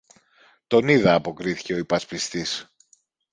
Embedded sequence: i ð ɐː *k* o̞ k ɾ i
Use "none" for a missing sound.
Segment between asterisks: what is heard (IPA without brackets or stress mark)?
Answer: p